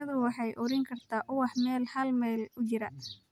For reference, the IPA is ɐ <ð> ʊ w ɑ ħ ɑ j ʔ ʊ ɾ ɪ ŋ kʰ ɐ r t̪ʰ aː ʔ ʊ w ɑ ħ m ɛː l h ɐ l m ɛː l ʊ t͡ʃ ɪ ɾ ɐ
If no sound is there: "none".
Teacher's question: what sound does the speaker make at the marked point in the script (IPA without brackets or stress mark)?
ð